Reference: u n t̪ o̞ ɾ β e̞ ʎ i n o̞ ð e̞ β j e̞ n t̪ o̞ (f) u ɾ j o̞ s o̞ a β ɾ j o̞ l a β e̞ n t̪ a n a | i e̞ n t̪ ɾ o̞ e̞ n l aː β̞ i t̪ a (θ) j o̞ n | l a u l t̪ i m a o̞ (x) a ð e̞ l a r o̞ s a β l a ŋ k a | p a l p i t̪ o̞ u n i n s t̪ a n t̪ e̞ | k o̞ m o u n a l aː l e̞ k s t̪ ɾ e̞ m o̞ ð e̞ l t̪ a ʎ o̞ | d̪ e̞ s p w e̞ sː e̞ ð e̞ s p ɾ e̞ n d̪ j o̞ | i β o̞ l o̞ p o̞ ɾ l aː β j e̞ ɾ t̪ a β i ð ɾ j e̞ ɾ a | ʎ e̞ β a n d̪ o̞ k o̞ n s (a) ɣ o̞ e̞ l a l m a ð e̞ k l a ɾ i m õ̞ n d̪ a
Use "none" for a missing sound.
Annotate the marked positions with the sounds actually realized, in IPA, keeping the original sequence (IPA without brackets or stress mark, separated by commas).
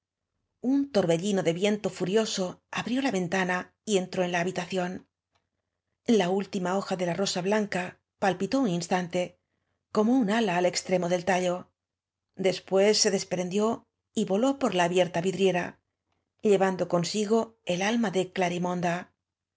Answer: f, θ, x, i